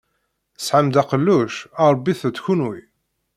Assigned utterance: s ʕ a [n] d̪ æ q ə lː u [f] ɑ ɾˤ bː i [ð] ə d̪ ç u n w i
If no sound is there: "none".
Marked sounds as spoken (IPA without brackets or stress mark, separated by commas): m, ʃ, θ